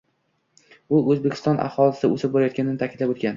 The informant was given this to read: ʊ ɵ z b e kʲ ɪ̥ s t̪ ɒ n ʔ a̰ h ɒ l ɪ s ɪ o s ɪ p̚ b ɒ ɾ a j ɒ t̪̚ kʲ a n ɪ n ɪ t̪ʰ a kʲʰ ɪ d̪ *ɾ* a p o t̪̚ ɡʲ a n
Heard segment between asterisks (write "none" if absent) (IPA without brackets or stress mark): l